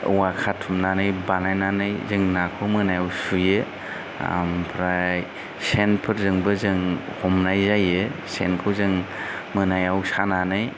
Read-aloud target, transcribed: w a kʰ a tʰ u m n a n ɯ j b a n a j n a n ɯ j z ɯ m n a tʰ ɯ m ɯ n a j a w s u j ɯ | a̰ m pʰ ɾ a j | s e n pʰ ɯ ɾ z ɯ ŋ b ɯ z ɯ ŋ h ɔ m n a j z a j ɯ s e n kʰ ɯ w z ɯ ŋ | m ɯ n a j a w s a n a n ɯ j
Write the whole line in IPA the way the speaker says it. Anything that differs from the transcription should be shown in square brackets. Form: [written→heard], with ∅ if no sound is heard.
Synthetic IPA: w a kʰ a tʰ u m n a n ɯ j b a n a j n a n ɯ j z ɯ [m→ŋ] n a [tʰ→kʰ] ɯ m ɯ n a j a w s u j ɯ | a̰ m pʰ ɾ a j | s e n pʰ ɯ ɾ z ɯ ŋ b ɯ z ɯ ŋ h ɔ m n a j z a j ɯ s e n kʰ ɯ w z ɯ ŋ | m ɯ n a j a w s a n a n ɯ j